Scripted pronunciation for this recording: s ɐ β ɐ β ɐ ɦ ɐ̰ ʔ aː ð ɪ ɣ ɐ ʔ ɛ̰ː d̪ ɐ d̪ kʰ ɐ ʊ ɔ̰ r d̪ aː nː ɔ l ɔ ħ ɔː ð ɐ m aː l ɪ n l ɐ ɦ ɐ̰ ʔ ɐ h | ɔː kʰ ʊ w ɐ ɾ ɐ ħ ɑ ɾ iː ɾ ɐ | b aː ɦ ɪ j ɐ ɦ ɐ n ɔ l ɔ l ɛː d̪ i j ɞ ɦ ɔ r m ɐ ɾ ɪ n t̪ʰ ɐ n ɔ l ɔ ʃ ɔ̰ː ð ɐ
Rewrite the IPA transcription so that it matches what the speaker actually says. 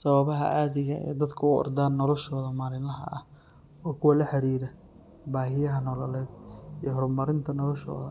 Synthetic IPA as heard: s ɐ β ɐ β ɐ ɦ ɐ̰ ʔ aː ð ɪ ɣ ɐ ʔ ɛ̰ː d̪ ɐ d̪ kʰ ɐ ʊ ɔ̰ r d̪ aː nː ɔ l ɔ ʃ ɔː ð ɐ m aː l ɪ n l ɐ ɦ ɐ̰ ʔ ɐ h | ɔː kʰ ʊ w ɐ l ɐ ħ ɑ ɾ iː ɾ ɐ | b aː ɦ ɪ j ɐ ɦ ɐ n ɔ l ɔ l ɛː d̪ i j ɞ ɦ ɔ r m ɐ ɾ ɪ n t̪ʰ ɐ n ɔ l ɔ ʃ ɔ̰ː ð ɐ